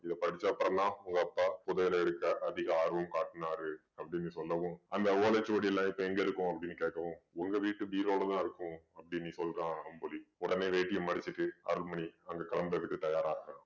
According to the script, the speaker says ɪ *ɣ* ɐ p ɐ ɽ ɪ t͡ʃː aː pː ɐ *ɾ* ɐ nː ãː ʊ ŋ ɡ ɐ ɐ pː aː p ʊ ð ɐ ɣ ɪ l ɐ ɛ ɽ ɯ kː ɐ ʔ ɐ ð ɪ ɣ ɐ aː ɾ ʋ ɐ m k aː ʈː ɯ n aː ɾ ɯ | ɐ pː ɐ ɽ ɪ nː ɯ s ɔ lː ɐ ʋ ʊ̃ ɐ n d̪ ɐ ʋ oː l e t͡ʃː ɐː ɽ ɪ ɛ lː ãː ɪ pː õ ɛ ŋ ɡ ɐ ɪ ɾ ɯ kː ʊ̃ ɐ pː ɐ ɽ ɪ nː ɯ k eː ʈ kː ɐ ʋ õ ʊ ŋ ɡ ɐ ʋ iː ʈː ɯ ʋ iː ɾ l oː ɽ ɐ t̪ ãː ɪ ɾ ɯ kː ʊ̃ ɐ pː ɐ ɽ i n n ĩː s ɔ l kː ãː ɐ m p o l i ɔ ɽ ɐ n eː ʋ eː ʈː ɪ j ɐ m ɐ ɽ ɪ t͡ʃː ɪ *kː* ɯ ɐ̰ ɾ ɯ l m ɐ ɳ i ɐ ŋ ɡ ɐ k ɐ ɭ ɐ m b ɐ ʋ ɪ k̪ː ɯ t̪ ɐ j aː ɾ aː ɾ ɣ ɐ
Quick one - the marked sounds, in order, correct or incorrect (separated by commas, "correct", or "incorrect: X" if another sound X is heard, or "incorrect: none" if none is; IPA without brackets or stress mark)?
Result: incorrect: ð, correct, incorrect: ʈː